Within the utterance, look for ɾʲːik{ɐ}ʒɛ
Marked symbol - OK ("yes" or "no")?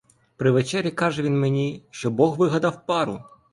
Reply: no